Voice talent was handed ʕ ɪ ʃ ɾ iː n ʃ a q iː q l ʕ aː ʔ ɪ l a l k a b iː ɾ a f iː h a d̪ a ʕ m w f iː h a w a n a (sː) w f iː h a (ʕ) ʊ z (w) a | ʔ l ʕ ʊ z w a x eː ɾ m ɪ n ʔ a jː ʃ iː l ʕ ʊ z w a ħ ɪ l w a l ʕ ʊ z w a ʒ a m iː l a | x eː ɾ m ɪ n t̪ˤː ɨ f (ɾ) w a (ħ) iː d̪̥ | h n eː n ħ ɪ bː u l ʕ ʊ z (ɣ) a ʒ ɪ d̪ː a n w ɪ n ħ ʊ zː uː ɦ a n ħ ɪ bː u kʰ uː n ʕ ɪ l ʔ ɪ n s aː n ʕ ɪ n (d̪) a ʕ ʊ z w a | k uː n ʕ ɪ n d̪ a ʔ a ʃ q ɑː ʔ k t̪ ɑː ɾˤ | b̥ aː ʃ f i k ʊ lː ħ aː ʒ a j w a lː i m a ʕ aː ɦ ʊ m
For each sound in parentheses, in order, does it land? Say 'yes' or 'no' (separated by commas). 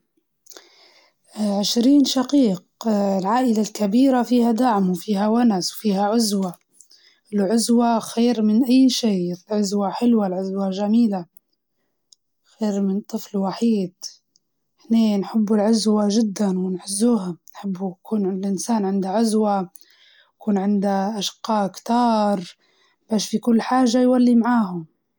no, yes, yes, no, yes, no, yes